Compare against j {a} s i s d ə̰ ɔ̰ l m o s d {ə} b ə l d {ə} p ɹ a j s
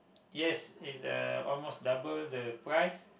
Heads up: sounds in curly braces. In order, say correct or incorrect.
incorrect: ɛ, incorrect: a, correct

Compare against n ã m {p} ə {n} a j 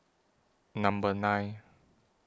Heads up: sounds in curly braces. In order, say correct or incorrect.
incorrect: b, correct

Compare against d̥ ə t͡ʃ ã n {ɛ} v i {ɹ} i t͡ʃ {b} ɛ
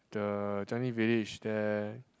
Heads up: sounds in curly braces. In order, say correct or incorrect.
incorrect: i, incorrect: l, incorrect: d

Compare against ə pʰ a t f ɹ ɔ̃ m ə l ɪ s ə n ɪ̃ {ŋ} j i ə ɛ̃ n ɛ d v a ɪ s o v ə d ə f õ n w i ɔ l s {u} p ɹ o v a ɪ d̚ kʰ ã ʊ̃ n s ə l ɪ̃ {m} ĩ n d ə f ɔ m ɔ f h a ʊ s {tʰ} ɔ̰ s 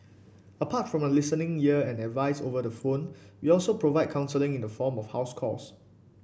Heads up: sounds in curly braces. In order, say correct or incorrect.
correct, incorrect: o, incorrect: ŋ, incorrect: kʰ

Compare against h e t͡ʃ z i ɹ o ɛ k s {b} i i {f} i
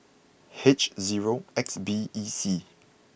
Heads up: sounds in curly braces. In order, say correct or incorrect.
correct, incorrect: s

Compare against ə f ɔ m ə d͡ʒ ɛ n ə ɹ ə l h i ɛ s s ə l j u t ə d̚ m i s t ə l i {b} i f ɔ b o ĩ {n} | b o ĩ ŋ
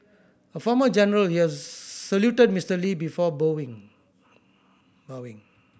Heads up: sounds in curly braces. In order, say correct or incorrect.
correct, incorrect: ŋ

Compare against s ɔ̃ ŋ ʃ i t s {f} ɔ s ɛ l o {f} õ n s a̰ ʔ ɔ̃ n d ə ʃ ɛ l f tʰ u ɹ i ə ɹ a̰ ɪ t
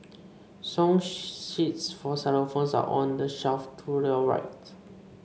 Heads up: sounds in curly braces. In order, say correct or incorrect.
correct, correct

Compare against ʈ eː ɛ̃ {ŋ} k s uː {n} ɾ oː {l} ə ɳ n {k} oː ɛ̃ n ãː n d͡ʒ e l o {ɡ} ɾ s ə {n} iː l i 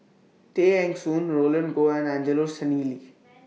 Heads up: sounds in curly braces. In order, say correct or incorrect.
correct, correct, correct, incorrect: ɡ, incorrect: none, correct

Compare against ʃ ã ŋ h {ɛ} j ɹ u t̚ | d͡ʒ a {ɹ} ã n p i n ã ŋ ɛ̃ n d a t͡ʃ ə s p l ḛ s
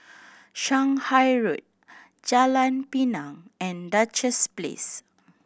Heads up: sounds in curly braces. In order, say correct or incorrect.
incorrect: a, incorrect: l

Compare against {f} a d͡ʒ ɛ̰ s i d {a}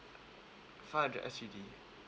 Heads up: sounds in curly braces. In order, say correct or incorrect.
correct, incorrect: i

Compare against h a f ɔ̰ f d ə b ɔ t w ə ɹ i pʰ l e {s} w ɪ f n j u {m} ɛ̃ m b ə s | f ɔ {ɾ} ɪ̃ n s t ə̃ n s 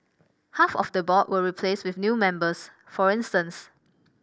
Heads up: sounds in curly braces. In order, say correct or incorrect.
correct, correct, incorrect: ɹ

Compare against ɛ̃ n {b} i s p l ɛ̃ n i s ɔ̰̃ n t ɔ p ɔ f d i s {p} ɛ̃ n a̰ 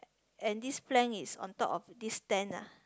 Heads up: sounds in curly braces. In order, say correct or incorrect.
incorrect: d, incorrect: t

